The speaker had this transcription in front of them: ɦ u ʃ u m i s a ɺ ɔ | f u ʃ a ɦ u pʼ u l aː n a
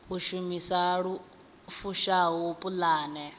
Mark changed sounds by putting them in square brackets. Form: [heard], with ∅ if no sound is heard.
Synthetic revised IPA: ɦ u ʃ u m i s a ɺ [u] | f u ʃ a ɦ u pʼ u l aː n [ɛ]